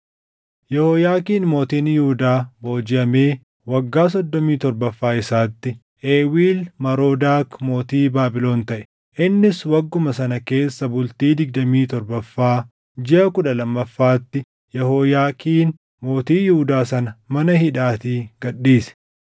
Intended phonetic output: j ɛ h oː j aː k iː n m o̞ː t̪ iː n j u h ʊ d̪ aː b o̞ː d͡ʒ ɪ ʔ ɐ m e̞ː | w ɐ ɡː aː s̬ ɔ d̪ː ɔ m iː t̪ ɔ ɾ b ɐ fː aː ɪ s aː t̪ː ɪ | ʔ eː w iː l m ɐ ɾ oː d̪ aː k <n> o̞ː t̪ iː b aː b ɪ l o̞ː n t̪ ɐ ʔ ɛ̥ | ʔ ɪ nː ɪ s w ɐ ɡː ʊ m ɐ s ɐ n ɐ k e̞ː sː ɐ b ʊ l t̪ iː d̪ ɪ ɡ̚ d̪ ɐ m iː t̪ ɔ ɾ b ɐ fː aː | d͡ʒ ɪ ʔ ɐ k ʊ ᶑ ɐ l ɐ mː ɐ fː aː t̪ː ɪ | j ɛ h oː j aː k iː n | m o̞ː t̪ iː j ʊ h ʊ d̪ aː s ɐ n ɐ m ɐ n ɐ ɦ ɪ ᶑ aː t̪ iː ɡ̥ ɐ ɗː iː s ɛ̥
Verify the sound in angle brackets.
incorrect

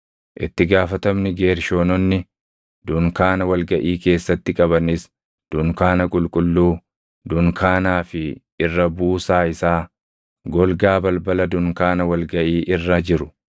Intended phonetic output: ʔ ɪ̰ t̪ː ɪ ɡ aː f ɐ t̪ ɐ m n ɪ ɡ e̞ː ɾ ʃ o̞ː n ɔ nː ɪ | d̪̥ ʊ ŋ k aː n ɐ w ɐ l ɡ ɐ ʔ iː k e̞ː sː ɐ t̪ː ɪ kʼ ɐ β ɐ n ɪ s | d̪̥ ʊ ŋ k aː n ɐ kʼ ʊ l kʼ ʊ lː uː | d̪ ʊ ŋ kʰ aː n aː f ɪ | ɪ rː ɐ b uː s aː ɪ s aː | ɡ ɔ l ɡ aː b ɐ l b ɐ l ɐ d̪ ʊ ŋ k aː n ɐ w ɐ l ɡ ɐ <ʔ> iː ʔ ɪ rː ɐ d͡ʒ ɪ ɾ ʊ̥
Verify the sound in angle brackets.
correct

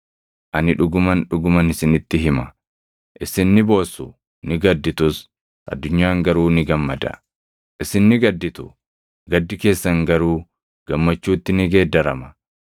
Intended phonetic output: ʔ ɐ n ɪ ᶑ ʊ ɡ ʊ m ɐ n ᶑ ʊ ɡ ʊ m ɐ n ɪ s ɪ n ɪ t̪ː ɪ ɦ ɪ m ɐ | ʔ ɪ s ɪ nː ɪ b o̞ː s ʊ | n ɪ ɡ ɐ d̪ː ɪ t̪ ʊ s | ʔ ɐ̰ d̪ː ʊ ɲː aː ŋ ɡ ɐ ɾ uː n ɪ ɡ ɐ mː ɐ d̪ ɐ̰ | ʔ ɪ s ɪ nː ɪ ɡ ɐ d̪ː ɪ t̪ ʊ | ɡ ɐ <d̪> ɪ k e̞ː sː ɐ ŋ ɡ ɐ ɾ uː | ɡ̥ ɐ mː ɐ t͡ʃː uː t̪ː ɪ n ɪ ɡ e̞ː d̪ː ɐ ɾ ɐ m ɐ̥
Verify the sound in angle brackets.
incorrect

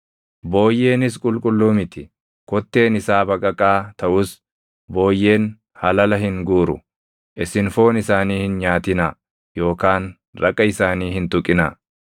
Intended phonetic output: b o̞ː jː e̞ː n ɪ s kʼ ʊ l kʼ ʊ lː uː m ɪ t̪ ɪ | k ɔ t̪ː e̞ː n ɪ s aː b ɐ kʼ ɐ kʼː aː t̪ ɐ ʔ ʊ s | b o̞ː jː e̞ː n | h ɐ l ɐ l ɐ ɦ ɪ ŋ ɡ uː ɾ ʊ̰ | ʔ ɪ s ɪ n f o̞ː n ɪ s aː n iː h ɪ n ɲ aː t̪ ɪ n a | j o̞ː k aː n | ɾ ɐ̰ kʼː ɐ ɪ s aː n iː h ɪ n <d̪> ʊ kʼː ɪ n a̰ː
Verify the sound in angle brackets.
incorrect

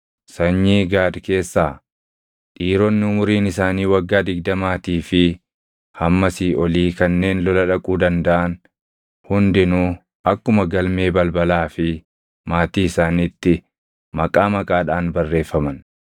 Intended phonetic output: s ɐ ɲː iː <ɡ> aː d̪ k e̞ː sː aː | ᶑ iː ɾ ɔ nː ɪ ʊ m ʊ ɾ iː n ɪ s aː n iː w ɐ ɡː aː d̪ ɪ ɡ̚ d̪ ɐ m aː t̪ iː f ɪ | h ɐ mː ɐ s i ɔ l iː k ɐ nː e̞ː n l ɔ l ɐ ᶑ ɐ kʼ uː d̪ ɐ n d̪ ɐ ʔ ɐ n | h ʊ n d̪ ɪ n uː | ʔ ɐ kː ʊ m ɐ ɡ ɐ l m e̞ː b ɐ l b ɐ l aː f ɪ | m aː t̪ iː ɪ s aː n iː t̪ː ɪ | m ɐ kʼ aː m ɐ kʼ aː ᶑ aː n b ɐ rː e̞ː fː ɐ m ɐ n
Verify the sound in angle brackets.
correct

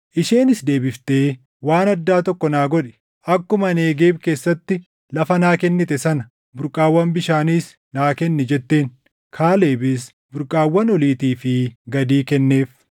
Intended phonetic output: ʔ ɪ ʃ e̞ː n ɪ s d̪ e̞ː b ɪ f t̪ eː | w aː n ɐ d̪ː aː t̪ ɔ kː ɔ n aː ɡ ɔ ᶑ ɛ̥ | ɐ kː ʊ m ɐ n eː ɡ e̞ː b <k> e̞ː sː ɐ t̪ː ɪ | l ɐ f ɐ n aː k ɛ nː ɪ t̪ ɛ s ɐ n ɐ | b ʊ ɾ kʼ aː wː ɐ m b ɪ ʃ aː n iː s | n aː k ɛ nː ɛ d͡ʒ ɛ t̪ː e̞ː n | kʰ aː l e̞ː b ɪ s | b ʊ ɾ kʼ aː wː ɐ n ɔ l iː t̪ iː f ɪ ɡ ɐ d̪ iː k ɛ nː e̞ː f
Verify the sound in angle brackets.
correct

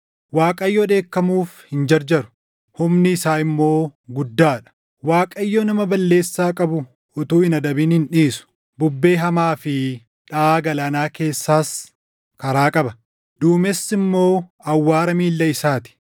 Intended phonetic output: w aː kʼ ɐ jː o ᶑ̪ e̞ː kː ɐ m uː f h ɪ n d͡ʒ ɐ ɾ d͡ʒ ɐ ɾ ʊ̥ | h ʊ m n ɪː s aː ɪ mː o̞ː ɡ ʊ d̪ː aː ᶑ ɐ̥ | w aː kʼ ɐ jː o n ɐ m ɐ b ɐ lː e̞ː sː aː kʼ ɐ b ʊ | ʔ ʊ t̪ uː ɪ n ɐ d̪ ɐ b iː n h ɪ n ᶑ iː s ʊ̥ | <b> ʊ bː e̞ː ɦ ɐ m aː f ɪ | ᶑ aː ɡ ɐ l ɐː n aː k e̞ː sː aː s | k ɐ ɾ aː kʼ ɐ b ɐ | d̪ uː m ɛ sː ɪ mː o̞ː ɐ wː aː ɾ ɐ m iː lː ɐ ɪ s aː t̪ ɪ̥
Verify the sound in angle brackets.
correct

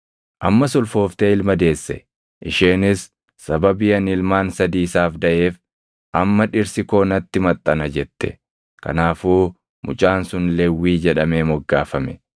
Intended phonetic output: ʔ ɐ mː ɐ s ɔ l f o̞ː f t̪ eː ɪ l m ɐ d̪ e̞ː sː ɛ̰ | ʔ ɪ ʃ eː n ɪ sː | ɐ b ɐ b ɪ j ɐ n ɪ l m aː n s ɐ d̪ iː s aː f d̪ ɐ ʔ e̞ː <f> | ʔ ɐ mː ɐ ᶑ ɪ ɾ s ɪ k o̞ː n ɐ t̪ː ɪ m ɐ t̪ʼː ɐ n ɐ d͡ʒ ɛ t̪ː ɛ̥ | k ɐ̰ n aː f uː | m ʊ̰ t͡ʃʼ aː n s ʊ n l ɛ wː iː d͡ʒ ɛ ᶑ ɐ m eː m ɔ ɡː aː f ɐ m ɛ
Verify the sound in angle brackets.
correct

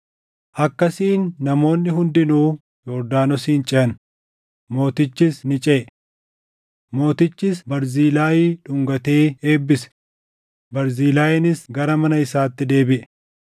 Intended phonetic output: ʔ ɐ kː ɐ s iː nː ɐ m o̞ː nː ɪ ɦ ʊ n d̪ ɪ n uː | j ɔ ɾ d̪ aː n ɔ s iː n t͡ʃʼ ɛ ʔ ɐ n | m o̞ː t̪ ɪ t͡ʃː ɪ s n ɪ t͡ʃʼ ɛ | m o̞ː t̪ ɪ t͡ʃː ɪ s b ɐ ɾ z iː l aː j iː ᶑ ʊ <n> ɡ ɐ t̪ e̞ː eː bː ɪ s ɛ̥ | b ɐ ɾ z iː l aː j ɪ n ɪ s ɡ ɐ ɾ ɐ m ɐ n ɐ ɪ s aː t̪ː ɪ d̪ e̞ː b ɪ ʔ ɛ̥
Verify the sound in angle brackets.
incorrect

